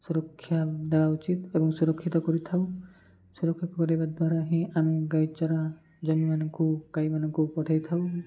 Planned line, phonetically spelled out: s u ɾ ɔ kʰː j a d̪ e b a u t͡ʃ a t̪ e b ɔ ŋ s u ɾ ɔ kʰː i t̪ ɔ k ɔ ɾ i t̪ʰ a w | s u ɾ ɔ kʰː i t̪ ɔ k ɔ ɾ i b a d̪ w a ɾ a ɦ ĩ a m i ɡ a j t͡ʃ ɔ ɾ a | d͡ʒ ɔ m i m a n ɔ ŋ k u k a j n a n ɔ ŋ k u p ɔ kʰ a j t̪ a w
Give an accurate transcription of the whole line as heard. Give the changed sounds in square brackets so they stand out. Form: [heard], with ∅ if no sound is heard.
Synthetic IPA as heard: s u ɾ ɔ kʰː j a d̪ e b a u t͡ʃ [i] t̪ e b ɔ ŋ s u ɾ ɔ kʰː i t̪ ɔ k ɔ ɾ i t̪ʰ a w | s u ɾ ɔ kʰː i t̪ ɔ k ɔ ɾ i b a d̪ w a ɾ a ɦ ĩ a m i ɡ a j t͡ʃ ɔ ɾ a | d͡ʒ ɔ m i m a n ɔ ŋ k u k a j [m] a n ɔ ŋ k u p ɔ [ʈʰ] a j [t̪ʰ] a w